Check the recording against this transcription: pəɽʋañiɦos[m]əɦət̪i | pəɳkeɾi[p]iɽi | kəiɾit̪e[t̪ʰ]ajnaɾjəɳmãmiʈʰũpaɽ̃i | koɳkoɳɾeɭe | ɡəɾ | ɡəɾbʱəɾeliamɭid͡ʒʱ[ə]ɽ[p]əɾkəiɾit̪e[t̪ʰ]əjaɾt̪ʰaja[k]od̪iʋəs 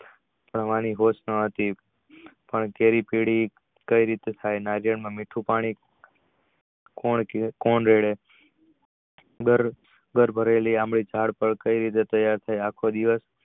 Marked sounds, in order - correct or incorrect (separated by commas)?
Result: incorrect, correct, correct, incorrect, correct, incorrect, incorrect